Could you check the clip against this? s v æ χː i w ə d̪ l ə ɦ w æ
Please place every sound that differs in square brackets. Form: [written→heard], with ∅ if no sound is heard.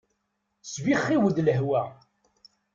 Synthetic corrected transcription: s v [æ→i] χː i w ə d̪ l ə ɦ w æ